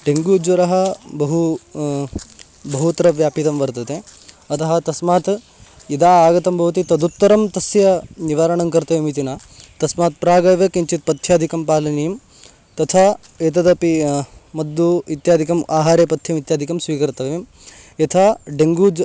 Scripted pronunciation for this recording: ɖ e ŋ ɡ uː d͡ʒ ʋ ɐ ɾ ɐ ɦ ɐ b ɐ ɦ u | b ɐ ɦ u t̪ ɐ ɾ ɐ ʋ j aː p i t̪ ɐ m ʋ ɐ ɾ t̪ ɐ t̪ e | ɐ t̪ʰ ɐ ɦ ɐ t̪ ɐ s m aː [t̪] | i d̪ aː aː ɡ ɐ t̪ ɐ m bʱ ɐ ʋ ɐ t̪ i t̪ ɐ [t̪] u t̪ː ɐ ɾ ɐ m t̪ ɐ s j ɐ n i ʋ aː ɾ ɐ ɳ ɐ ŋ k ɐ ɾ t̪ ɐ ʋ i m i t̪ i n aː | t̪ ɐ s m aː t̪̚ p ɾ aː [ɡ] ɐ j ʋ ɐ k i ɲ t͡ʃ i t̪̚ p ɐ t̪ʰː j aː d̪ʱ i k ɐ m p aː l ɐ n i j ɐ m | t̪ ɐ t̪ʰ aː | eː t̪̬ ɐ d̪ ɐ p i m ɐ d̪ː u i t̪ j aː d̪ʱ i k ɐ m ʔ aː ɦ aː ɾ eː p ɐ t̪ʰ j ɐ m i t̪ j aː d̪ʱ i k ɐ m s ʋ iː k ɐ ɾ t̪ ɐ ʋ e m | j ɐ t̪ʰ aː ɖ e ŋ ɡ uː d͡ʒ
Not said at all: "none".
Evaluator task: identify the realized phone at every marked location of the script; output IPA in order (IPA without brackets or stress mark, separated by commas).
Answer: t̪, d̪, ɡ